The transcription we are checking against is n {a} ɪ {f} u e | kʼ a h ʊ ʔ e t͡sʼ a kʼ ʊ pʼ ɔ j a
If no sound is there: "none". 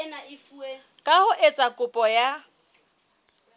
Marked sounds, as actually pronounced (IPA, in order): a, f

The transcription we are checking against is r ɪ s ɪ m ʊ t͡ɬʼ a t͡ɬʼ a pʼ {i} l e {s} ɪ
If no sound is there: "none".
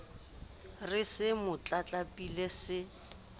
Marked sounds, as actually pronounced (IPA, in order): i, s

